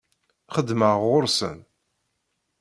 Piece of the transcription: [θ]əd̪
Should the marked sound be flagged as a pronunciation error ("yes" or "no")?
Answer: yes